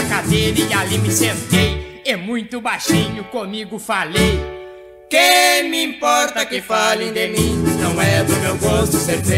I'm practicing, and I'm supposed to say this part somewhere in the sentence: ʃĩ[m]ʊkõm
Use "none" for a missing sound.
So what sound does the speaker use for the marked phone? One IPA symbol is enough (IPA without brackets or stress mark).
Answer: ɲ